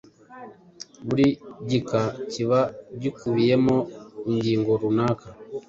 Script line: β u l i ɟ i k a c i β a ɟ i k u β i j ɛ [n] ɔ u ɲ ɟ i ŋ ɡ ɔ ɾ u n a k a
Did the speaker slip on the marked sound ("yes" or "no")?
yes